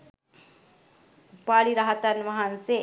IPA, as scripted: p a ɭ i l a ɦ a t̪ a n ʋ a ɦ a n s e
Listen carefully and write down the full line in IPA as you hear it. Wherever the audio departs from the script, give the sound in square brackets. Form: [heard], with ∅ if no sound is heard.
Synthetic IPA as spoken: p a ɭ i [ɾ] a ɦ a t̪ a n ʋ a ɦ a n s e

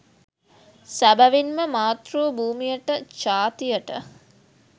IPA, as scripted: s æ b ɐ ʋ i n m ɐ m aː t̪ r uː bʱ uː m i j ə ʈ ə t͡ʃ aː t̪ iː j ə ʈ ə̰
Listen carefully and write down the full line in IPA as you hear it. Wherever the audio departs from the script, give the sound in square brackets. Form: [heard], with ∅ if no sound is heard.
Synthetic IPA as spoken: s æ b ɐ ʋ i n m [ə] m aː t̪ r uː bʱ uː m i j ə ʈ ə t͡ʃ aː t̪ [i] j ə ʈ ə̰

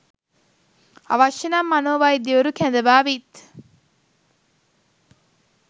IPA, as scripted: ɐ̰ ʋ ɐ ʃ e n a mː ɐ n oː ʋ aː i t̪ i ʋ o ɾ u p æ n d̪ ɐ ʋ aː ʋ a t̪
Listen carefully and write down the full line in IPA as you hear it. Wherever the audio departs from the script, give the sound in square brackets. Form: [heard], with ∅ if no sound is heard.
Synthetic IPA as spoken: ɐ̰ ʋ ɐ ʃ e n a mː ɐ n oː ʋ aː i [d̪] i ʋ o ɾ u [k] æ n d̪ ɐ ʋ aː ʋ [i] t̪

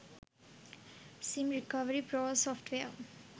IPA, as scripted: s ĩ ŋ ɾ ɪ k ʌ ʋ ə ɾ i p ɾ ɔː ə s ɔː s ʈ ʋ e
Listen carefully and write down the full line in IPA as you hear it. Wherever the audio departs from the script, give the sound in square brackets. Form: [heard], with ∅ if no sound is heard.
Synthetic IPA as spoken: s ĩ [m] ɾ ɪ k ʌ ʋ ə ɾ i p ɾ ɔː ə s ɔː [f] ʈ ʋ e

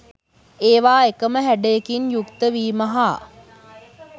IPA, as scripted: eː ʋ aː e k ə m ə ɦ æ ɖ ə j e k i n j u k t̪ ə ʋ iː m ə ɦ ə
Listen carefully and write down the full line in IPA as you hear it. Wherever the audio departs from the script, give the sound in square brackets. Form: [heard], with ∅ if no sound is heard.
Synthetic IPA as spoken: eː ʋ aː e k ə m ə ɦ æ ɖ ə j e k i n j u k t̪ ə ʋ iː m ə ɦ [a]

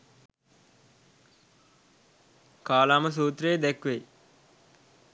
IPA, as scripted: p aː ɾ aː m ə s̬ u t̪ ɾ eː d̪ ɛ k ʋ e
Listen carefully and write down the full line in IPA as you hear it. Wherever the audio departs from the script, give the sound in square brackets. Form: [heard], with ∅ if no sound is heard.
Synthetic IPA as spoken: [k] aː [l] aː m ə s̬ [uː] t̪ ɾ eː d̪ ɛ k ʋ e

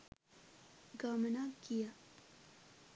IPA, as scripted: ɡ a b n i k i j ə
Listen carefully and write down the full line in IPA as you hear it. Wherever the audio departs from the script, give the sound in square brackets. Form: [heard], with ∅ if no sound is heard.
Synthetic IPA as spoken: ɡ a [m] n [a] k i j [a]

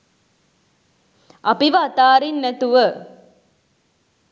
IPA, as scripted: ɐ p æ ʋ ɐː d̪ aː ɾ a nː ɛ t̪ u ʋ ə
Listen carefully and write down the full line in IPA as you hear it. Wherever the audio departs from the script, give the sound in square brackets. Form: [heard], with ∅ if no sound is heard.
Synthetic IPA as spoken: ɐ p [i] ʋ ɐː [t̪] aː ɾ [i] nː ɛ t̪ u ʋ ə

